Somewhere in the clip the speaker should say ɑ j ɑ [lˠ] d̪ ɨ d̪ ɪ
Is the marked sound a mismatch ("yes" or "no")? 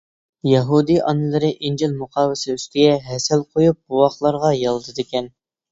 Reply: no